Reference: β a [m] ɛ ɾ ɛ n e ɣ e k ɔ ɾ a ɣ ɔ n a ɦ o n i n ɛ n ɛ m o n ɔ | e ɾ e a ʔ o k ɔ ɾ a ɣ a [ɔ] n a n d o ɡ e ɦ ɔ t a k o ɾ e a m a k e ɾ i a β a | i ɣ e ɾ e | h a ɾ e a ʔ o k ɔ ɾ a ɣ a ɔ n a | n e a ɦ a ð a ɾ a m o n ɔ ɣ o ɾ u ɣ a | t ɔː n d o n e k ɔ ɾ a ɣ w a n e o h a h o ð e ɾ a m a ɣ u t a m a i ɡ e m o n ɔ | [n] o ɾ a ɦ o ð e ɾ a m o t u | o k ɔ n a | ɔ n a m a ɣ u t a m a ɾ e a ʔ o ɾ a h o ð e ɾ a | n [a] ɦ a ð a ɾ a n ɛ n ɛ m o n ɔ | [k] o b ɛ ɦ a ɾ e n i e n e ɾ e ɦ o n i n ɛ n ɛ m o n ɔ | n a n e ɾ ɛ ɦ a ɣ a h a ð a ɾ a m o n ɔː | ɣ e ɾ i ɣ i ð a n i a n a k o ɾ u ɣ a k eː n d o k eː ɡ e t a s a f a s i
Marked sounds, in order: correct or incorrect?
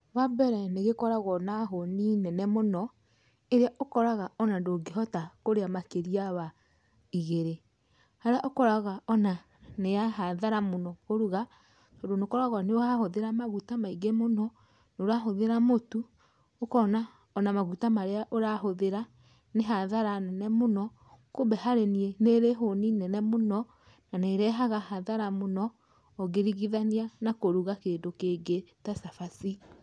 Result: incorrect: b, correct, correct, incorrect: e, correct

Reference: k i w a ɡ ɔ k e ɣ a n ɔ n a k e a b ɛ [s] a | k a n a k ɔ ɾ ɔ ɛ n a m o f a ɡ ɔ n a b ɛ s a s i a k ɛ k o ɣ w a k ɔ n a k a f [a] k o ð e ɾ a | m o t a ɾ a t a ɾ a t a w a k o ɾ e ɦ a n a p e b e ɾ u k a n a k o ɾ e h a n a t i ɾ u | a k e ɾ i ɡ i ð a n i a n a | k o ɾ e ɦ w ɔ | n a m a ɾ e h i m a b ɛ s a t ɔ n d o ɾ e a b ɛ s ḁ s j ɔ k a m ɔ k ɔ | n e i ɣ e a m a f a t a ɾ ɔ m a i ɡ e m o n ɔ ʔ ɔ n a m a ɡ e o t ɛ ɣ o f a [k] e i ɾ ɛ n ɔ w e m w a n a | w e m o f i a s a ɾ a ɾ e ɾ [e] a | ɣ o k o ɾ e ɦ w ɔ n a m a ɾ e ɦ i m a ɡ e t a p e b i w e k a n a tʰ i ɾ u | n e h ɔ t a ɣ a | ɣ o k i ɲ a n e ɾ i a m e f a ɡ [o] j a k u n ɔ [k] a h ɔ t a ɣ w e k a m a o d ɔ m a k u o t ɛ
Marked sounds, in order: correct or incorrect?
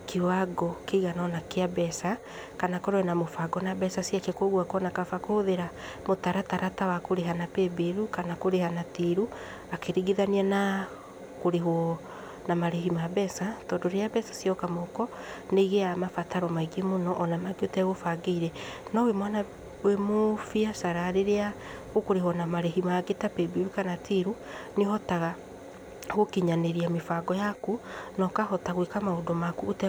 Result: correct, correct, incorrect: ɡ, correct, incorrect: ɔ, correct

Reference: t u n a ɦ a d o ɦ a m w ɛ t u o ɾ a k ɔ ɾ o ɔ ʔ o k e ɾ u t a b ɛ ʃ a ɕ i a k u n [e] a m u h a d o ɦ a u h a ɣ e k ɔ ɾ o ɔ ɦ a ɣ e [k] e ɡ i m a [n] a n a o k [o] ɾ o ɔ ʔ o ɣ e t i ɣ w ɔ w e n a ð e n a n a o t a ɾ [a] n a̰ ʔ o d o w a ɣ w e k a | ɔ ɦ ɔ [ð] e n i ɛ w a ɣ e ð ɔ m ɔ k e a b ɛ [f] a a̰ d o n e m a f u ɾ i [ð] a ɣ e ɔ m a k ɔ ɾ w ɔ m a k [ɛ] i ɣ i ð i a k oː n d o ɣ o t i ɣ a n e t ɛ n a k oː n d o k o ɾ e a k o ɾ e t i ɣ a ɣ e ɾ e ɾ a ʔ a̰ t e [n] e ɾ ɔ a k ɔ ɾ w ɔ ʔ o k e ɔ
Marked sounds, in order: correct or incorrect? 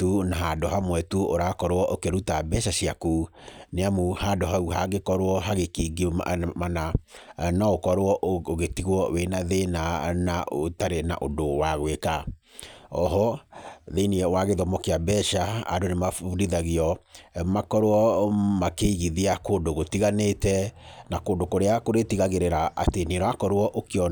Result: correct, correct, correct, incorrect: ɔ, incorrect: e, correct, incorrect: ʃ, correct, incorrect: e, correct

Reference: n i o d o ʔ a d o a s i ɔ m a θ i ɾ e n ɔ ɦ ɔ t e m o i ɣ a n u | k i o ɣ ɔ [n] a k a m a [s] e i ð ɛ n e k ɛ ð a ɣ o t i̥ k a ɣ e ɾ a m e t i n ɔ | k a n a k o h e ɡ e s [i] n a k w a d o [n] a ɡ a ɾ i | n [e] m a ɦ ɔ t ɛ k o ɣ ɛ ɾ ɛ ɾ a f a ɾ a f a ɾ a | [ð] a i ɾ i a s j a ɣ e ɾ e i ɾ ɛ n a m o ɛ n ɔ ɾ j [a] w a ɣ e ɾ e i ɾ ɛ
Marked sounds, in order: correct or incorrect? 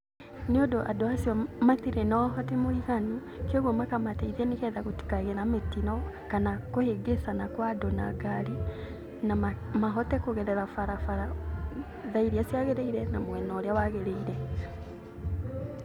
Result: incorrect: m, incorrect: t, incorrect: a, correct, incorrect: a, correct, correct

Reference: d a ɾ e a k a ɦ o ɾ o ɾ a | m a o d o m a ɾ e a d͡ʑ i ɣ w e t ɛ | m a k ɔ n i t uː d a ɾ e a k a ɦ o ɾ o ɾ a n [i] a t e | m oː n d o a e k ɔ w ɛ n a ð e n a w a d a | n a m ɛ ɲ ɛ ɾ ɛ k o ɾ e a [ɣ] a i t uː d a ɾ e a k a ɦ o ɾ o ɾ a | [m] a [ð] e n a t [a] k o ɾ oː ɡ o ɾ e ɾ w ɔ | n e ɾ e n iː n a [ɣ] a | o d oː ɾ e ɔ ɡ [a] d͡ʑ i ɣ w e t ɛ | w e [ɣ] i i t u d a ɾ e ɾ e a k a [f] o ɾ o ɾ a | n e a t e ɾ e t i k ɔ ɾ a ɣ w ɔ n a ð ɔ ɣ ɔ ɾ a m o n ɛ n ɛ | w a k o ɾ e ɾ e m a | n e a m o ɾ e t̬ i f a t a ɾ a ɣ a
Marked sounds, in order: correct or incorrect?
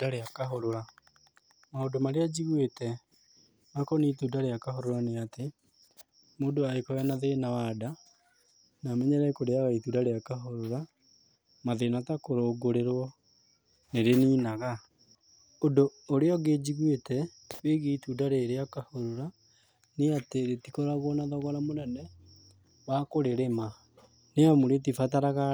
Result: incorrect: e, correct, correct, correct, correct, correct, incorrect: e, correct, incorrect: h

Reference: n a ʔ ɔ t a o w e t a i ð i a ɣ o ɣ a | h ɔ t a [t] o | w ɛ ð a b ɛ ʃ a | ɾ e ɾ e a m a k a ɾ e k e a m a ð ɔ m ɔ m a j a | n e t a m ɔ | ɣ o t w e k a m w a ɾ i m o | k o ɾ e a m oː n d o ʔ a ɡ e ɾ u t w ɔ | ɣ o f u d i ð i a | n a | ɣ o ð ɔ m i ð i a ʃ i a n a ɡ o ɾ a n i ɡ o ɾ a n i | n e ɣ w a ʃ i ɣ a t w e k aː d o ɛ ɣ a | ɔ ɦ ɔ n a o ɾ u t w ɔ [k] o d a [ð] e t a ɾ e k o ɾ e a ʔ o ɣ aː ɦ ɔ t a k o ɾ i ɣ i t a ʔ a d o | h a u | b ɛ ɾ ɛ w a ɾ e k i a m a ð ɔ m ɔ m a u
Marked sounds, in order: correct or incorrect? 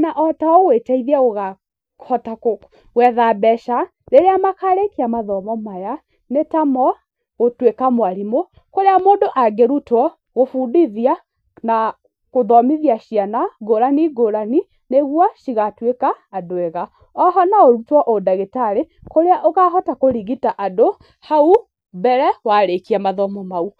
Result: incorrect: k, incorrect: ʔ, incorrect: ɣ

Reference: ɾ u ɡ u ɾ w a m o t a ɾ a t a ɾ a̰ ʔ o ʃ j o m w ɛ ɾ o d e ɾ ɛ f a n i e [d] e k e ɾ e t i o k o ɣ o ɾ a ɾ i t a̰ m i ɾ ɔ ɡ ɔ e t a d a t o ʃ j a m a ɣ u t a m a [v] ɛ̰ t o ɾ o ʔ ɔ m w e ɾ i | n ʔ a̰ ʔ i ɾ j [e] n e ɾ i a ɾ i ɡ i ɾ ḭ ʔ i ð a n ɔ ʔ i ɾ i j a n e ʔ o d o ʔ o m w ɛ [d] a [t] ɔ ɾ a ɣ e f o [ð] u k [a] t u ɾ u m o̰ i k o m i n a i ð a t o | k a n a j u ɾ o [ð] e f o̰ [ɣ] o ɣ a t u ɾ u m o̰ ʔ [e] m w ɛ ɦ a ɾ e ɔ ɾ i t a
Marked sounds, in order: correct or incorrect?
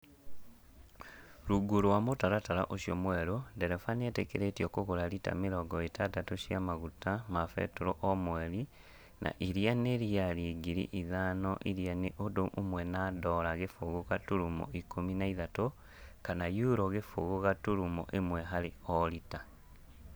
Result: incorrect: t, incorrect: f, incorrect: a, incorrect: n, incorrect: d, incorrect: ɣ, correct, incorrect: ɣ, correct, correct

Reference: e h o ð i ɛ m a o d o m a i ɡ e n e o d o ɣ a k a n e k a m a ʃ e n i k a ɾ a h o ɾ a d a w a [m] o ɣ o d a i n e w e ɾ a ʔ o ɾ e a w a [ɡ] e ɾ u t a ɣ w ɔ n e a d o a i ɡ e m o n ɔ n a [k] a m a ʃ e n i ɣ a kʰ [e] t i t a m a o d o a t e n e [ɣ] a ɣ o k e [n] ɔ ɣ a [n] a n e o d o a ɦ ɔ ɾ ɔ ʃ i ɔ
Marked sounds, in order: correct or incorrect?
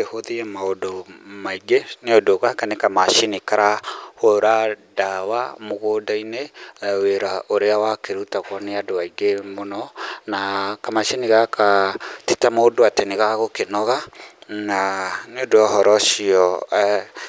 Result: correct, incorrect: k, correct, incorrect: a, correct, correct, correct

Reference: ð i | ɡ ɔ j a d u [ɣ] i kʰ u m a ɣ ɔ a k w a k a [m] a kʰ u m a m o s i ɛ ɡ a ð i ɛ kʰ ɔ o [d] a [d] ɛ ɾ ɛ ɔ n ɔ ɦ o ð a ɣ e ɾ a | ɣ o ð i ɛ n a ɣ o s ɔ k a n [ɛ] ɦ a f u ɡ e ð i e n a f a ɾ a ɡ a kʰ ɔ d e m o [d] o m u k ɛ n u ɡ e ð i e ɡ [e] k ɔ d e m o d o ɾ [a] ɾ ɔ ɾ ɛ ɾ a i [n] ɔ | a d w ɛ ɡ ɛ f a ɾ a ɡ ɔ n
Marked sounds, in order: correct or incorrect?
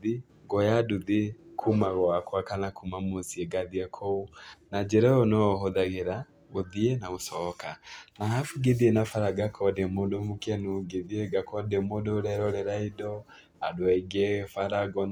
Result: incorrect: ð, incorrect: n, incorrect: n, incorrect: d͡ʒ, incorrect: a, correct, incorrect: a, incorrect: ɛ, incorrect: d

